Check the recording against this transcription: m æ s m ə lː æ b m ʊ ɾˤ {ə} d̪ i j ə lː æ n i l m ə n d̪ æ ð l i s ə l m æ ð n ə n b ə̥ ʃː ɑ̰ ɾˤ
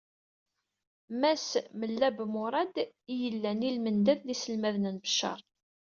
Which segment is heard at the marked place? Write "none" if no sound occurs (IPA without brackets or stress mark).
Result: ɑ